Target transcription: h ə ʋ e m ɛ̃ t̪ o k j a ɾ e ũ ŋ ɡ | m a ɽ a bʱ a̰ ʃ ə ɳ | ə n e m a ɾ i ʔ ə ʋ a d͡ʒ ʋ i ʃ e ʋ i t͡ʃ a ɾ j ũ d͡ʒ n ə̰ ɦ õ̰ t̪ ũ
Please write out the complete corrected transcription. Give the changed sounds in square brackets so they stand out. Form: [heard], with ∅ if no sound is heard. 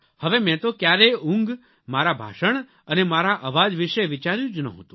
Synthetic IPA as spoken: h ə ʋ e m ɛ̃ t̪ o k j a ɾ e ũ ŋ ɡ | m a [ɾ] a bʱ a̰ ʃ ə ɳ | ə n e m a ɾ [a] ʔ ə ʋ a d͡ʒ ʋ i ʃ e ʋ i t͡ʃ a ɾ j ũ d͡ʒ n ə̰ ɦ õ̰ t̪ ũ